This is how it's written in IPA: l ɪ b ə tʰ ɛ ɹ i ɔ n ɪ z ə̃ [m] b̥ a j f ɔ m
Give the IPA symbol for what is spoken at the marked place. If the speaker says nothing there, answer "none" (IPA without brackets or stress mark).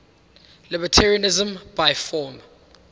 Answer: m